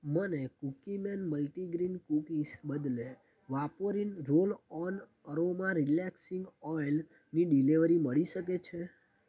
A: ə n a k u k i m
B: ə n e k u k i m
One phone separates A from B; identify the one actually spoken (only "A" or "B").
B